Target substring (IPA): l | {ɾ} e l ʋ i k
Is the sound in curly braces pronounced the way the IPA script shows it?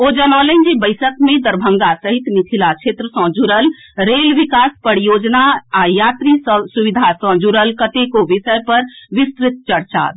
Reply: yes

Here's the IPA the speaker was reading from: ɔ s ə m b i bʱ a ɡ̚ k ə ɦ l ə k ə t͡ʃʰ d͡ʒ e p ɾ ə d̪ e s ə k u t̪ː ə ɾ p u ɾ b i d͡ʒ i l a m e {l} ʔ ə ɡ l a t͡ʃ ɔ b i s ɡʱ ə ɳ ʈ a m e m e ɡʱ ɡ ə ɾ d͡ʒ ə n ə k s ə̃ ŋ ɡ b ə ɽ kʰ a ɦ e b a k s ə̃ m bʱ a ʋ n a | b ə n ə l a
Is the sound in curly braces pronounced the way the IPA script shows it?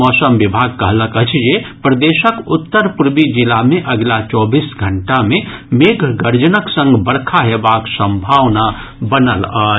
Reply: no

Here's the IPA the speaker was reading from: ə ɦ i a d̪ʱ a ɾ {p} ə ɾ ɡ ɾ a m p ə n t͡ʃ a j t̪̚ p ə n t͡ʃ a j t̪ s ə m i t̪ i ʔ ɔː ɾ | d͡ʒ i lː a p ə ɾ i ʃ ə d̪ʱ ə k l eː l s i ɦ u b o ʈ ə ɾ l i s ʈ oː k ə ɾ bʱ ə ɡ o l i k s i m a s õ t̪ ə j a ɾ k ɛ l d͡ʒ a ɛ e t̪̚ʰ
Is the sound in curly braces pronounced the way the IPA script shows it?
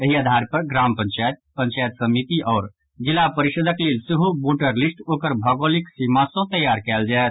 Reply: yes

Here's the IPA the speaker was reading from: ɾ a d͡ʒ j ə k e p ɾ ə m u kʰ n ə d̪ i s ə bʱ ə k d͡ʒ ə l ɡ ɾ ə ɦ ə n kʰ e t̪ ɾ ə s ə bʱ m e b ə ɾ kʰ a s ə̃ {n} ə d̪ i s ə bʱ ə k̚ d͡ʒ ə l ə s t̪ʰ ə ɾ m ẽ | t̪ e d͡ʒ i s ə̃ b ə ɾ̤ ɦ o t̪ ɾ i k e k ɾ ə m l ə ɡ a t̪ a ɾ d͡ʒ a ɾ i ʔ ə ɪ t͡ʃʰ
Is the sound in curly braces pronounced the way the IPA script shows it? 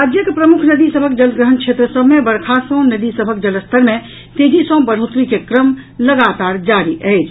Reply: yes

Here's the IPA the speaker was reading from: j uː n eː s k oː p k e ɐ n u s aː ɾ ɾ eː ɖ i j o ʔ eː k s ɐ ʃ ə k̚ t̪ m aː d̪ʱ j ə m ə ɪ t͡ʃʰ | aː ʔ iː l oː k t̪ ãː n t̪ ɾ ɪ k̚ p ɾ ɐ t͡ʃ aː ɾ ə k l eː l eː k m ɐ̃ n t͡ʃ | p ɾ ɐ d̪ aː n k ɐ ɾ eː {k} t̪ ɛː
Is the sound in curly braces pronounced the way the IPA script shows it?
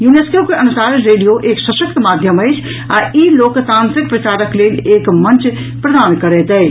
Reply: no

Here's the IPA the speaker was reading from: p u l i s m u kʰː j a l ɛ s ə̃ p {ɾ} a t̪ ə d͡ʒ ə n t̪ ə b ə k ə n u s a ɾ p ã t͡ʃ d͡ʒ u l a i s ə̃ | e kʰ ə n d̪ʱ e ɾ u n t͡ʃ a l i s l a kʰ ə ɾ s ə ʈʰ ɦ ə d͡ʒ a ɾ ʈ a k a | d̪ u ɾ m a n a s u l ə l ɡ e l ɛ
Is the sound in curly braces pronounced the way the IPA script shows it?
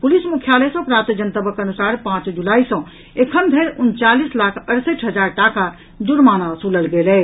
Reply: yes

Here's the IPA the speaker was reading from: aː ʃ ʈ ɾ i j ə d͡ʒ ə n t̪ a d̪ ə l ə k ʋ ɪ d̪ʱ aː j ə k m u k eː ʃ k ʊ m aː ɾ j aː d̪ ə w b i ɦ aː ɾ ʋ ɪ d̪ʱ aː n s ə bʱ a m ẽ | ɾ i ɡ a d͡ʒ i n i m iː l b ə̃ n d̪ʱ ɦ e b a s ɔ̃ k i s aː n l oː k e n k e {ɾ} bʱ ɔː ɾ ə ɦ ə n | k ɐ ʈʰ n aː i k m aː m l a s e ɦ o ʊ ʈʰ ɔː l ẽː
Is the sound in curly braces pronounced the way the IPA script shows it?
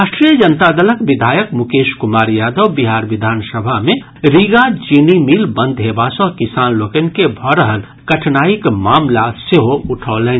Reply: no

